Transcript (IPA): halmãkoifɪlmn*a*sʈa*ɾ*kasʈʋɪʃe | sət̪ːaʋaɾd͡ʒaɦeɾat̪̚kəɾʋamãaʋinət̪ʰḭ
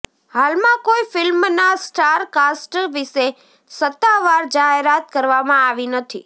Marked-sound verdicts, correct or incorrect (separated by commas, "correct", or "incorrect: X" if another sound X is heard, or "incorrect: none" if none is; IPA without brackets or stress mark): correct, correct